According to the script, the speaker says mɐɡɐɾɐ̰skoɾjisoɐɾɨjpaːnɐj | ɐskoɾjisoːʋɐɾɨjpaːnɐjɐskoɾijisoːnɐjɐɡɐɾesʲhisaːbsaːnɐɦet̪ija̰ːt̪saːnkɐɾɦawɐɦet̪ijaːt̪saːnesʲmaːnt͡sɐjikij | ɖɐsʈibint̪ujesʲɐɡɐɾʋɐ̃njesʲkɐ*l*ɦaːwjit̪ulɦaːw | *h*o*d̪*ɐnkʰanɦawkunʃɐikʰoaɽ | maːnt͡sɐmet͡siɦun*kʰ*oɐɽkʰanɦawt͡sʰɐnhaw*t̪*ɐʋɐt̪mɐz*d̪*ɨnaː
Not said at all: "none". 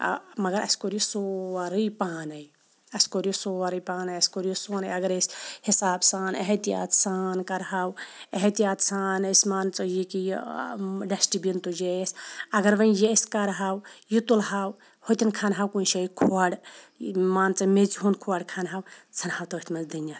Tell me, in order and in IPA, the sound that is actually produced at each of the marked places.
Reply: ɾ, h, t̪, kʰ, t̪, d̪

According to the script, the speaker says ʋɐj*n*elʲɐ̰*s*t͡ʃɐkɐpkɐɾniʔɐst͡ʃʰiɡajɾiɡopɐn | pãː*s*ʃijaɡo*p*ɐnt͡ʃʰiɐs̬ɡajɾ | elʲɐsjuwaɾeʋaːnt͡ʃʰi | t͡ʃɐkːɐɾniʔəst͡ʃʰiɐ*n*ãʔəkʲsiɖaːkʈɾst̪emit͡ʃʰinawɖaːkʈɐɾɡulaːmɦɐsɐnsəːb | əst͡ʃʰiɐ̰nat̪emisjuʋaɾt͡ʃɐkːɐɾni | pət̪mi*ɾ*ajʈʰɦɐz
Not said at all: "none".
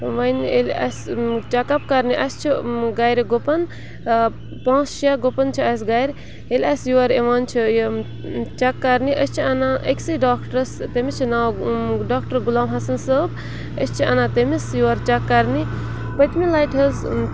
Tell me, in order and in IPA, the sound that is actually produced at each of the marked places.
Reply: n, s, s, p, n, l

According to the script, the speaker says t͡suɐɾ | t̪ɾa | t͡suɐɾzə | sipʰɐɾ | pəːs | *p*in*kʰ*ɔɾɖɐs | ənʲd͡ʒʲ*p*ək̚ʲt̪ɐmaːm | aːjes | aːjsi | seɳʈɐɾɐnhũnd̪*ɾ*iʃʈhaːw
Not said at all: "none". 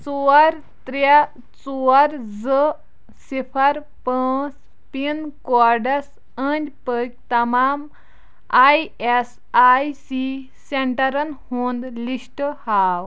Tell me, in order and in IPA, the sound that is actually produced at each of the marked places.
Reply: p, k, p, l

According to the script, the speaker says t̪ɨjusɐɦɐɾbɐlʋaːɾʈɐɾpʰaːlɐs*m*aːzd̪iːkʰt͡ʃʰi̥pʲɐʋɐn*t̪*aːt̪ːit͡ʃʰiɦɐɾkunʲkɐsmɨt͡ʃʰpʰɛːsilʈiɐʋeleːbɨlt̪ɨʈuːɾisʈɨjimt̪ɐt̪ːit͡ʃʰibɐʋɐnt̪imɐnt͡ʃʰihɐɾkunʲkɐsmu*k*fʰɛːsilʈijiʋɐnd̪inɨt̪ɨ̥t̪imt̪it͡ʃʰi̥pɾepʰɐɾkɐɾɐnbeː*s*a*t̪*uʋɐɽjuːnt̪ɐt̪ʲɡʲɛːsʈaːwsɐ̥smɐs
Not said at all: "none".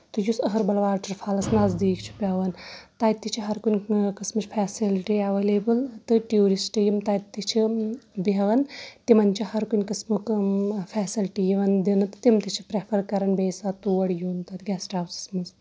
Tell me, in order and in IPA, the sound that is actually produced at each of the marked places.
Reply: n, t̪, k, s, t̪

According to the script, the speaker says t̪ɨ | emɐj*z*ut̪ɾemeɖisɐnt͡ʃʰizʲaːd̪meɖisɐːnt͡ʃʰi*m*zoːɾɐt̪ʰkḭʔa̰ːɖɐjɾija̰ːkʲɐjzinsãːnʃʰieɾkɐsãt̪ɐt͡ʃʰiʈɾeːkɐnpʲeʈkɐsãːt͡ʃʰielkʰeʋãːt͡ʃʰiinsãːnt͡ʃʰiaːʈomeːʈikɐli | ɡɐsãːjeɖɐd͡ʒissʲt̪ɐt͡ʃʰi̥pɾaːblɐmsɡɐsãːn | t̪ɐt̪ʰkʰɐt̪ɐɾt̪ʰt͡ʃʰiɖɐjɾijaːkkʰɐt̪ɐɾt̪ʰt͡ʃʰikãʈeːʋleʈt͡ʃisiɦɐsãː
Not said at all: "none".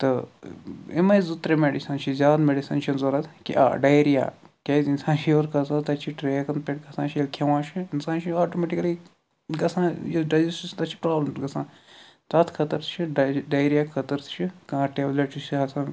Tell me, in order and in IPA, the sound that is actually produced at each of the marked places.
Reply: z, n

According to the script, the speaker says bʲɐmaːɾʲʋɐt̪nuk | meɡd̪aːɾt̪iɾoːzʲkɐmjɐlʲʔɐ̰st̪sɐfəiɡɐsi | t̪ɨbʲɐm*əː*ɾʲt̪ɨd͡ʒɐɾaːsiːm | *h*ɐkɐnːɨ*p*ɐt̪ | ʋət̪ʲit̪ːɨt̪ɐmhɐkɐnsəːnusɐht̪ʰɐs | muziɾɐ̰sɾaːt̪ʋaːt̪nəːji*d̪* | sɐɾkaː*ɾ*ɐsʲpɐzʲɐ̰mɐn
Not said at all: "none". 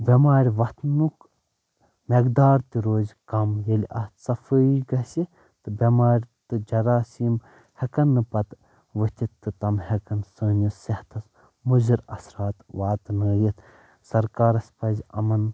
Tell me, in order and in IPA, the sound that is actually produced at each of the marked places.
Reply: aː, h, p, t̪, ɾ

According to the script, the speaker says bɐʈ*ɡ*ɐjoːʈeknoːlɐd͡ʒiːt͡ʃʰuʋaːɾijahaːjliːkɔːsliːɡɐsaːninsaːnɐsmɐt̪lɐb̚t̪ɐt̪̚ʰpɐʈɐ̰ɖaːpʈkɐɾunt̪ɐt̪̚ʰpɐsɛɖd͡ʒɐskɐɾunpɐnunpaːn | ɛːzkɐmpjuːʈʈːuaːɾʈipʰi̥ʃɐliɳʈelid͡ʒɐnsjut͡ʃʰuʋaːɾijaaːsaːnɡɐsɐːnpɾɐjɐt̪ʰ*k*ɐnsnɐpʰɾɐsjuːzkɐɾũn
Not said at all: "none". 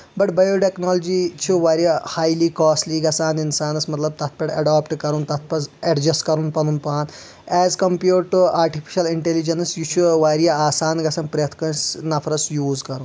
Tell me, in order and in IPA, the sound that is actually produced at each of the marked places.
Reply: b, k

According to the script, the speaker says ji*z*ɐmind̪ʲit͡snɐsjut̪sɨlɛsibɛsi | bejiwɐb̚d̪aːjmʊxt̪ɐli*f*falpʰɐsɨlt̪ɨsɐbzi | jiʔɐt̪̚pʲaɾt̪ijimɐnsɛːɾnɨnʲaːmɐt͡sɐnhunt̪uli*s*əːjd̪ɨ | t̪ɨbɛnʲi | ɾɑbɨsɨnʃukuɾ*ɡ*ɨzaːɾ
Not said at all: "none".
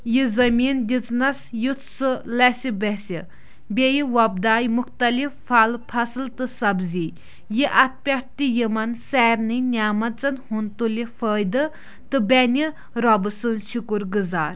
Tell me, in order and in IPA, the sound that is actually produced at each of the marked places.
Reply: z, f, f, ɡ

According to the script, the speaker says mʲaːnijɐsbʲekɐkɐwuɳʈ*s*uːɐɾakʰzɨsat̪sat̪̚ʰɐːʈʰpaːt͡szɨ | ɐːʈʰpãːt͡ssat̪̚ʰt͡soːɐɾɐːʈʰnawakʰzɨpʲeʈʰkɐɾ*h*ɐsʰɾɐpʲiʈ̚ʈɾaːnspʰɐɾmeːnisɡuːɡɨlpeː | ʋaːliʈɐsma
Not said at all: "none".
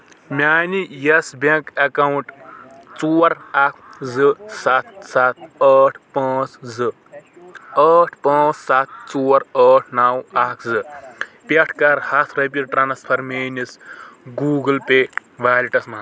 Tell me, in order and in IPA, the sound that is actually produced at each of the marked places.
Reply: t͡s, h

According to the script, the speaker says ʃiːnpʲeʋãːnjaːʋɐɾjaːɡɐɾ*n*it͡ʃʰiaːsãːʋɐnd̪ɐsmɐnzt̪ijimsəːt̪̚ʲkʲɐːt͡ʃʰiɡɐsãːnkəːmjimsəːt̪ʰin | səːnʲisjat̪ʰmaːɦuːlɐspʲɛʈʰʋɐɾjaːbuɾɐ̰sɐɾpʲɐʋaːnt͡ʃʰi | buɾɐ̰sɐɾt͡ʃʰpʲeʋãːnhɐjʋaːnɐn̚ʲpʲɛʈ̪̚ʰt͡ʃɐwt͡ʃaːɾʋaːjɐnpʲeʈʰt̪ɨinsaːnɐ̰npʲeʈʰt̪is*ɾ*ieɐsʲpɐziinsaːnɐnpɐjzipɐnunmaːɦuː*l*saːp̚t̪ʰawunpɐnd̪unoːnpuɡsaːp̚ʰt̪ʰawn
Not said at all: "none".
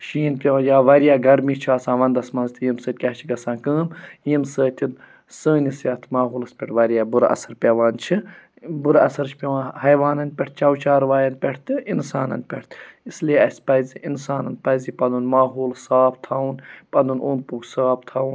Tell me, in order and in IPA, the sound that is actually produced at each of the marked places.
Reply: m, l, l

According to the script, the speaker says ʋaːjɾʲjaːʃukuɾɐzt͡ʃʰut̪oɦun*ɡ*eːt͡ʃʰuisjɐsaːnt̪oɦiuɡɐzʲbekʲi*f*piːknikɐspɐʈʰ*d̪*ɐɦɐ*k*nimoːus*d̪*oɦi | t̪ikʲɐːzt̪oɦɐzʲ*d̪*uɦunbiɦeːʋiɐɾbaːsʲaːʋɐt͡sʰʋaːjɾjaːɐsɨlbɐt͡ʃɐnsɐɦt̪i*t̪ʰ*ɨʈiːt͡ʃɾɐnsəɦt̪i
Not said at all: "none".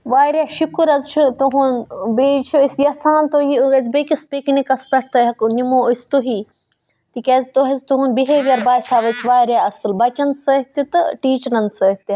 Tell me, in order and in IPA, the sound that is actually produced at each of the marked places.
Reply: b, s, t̪, k, t̪, t̪, t̪

